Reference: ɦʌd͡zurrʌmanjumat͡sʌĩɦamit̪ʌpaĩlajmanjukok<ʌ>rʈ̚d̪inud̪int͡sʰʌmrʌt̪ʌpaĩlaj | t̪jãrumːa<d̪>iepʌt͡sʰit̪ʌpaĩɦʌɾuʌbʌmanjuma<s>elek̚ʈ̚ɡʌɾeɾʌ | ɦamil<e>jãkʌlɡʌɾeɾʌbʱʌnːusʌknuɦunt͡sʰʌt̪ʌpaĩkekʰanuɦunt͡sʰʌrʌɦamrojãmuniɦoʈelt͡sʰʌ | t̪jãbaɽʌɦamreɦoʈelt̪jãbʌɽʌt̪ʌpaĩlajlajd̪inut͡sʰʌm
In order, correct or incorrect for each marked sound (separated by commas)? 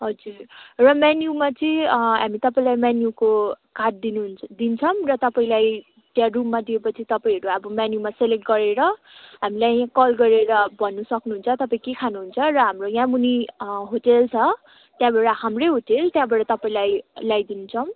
incorrect, correct, correct, incorrect